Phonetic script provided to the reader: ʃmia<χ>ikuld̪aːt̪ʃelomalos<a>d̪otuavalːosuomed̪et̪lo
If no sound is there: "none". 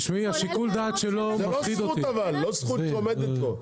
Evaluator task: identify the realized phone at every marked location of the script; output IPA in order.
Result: ʃ, i

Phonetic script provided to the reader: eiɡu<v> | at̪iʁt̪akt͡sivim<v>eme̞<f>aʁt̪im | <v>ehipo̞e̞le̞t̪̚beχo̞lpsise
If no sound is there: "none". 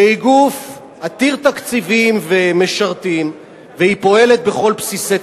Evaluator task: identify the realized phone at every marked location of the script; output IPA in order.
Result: f, v, ʃ, v

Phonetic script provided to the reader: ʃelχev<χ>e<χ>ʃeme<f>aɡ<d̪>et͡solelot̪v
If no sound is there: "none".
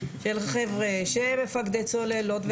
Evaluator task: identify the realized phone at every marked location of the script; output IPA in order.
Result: ʁ, none, f, d̪

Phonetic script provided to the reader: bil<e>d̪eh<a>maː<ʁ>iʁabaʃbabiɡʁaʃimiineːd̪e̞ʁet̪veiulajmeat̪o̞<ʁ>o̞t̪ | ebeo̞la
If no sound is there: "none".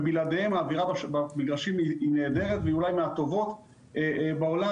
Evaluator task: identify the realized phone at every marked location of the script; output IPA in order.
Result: a, e, v, v

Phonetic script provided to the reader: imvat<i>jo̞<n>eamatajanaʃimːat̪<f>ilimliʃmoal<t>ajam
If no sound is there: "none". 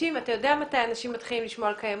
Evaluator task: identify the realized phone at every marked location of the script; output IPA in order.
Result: a, d, χ, k

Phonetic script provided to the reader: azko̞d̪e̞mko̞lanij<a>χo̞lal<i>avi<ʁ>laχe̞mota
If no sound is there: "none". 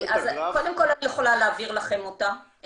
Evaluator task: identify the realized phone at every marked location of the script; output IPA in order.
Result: e, e, ʁ

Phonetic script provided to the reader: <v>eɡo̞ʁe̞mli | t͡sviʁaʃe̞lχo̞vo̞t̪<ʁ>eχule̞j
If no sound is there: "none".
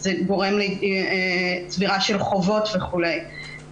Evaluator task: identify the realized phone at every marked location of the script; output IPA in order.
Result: z, v

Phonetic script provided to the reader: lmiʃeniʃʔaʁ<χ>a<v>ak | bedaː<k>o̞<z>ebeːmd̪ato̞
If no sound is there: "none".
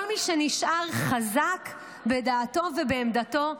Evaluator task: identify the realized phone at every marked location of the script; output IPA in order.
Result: χ, z, t, v

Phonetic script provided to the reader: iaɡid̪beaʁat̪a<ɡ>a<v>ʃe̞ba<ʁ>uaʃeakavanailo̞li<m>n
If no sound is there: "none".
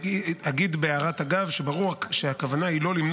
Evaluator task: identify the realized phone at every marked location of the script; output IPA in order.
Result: ɡ, v, ʁ, m

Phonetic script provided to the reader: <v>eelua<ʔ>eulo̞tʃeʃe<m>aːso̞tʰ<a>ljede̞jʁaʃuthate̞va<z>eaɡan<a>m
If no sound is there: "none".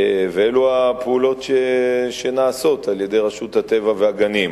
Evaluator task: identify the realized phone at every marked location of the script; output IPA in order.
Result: v, p, n, a, v, i

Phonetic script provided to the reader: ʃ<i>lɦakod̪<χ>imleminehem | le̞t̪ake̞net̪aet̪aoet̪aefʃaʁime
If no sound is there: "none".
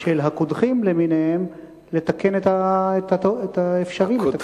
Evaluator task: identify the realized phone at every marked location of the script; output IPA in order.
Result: e, χ

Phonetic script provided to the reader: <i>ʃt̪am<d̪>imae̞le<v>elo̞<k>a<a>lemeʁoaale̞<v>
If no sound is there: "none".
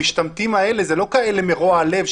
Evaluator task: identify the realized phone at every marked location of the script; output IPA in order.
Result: i, t̪, z, k, e, v

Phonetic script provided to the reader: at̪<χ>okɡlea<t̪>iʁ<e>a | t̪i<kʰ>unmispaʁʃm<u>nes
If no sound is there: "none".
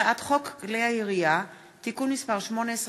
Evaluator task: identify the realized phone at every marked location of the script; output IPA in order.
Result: χ, none, i, k, o

